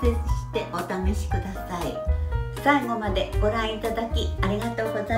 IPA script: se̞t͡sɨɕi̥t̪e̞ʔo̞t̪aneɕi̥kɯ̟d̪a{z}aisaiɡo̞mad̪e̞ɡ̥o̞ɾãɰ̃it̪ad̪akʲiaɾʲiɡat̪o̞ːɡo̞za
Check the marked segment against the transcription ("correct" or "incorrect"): incorrect